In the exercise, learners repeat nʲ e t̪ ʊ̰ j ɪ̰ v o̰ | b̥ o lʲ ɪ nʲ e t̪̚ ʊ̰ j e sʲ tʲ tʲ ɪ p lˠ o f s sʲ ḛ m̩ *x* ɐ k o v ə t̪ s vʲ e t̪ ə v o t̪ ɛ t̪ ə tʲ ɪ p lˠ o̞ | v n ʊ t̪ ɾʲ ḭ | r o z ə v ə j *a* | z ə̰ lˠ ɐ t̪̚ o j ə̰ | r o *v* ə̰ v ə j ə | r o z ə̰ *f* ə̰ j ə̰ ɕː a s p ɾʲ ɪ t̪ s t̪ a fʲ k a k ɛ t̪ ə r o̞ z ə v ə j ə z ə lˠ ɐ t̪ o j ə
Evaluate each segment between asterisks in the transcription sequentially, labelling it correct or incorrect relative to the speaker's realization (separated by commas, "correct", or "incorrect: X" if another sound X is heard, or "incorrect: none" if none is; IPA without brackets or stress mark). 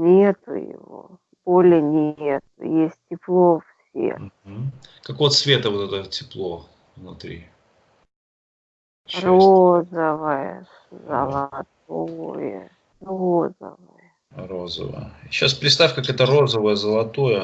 incorrect: k, incorrect: ə, incorrect: z, incorrect: v